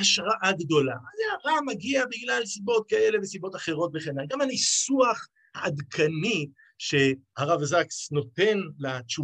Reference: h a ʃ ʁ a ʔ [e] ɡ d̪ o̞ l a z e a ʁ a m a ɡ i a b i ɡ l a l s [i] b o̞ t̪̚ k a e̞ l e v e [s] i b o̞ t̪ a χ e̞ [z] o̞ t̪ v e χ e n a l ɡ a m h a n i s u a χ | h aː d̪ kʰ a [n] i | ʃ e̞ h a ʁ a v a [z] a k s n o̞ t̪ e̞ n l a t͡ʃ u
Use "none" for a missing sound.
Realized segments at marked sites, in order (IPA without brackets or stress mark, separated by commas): a, i, s, ʁ, n, z